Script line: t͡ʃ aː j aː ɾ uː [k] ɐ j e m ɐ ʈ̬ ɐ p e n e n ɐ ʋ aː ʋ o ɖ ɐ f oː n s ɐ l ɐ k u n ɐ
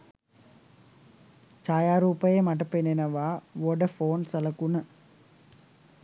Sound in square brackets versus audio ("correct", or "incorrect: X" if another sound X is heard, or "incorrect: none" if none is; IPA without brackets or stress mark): incorrect: p